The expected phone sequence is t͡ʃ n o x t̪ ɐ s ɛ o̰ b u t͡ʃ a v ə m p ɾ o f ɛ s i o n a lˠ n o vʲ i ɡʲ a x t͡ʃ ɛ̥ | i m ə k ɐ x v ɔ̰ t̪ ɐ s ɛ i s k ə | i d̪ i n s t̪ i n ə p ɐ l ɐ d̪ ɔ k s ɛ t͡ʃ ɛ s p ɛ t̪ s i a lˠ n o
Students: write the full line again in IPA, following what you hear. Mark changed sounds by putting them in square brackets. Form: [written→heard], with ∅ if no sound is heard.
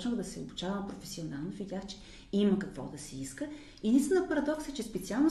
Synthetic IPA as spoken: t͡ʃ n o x [t̪→d̪] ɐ s ɛ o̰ b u t͡ʃ a v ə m p ɾ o f ɛ s i o n a lˠ n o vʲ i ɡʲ a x t͡ʃ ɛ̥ | i m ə k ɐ [x→k] v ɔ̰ [t̪→d̪] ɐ s ɛ i s k ə | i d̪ i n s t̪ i n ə p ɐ [l→ɾ] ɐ d̪ ɔ k s ɛ t͡ʃ ɛ s p ɛ t̪ s i a lˠ n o